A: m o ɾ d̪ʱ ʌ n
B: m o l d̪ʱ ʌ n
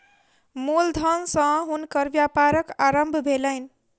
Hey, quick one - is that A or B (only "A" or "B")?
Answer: B